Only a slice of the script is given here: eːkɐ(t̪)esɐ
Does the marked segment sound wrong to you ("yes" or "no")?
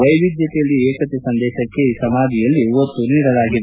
no